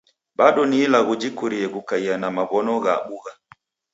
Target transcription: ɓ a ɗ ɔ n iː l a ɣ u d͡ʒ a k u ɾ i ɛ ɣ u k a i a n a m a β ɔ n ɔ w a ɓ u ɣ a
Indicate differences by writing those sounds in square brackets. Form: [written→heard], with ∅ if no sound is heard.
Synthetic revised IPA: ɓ a ɗ ɔ n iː l a ɣ u d͡ʒ [a→i] k u ɾ i ɛ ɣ u k a i a n a m a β ɔ n ɔ [w→ɣ] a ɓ u ɣ a